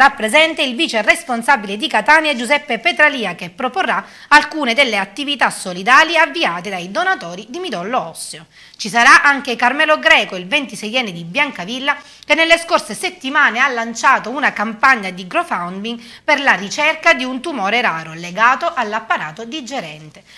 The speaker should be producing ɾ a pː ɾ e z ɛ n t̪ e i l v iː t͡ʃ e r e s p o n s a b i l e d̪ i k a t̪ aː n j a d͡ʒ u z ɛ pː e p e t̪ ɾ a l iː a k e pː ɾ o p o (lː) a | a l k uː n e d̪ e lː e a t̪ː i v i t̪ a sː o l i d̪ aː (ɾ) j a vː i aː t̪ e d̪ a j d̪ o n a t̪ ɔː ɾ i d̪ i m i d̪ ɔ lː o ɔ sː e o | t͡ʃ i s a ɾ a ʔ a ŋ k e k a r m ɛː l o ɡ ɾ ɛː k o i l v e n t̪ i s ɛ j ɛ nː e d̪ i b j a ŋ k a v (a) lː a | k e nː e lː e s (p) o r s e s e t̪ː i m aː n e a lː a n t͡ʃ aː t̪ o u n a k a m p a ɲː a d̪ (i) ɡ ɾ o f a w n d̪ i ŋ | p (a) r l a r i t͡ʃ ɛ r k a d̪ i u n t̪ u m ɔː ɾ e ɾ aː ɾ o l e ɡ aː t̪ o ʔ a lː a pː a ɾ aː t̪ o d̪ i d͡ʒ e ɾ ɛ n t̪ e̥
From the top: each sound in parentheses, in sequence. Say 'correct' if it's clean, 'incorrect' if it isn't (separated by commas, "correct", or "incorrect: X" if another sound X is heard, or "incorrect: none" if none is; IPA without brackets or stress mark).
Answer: incorrect: rː, incorrect: l, incorrect: i, incorrect: k, correct, incorrect: e